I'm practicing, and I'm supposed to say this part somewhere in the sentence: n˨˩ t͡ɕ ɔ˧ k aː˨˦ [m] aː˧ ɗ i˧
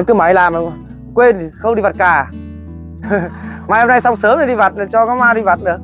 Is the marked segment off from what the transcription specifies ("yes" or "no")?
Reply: no